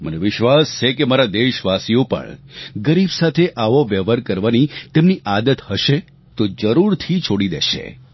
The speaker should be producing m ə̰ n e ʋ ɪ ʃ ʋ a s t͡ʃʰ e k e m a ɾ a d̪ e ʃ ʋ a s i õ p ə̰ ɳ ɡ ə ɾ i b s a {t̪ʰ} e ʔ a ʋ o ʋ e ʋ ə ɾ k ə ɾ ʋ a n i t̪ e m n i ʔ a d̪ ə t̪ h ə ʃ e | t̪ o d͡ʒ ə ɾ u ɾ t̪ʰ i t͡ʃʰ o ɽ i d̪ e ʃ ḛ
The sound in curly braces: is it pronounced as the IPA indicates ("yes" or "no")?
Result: yes